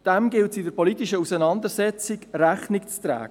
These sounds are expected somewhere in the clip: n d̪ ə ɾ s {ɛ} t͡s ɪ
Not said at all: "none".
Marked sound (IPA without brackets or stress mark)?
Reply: ɛ